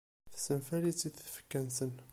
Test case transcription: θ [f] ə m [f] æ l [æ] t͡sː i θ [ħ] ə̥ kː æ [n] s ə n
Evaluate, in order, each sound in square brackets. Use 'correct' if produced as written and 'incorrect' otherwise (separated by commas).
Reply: incorrect, correct, incorrect, incorrect, correct